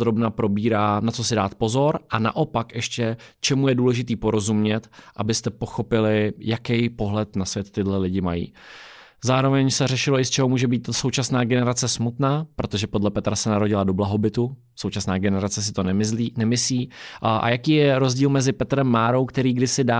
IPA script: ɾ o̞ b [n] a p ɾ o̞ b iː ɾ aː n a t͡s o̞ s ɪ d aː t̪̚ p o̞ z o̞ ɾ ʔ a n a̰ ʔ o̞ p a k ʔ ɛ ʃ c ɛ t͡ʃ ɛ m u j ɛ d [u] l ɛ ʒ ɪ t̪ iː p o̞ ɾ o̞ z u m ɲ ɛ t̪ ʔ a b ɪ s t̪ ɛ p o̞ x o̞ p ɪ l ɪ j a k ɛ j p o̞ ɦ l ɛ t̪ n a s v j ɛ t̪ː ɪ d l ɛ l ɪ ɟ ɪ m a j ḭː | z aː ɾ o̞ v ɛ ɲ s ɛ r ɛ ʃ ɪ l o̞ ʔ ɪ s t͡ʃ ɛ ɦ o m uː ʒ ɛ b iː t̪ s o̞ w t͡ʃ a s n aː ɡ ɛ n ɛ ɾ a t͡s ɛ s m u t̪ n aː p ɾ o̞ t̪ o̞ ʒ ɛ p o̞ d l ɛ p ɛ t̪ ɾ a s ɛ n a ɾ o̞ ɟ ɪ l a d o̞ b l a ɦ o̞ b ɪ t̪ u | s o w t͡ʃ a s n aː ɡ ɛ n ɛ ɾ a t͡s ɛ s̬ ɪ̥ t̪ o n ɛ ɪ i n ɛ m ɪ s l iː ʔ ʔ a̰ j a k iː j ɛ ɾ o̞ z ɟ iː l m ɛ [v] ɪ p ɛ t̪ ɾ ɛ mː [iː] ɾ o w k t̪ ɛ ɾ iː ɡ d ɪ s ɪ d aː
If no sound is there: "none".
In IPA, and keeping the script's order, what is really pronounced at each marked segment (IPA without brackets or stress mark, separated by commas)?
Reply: n, uː, z, aː